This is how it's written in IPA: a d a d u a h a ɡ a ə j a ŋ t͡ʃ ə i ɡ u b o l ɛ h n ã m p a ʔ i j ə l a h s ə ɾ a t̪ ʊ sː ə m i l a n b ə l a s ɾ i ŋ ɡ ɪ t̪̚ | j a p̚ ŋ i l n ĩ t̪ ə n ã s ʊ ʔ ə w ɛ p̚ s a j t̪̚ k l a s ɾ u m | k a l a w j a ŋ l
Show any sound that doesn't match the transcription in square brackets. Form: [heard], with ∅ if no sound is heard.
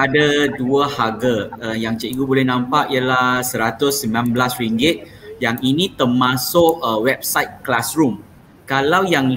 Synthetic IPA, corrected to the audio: a d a d u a h a ɡ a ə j a ŋ t͡ʃ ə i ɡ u b o l ɛ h n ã m p a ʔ i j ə l a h s ə ɾ a t̪ ʊ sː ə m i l a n b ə l a s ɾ i ŋ ɡ ɪ t̪̚ | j a [∅] ŋ i [∅] n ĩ t̪ ə [m] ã s ʊ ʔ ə w ɛ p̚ s a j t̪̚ k l a s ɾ u m | k a l a w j a ŋ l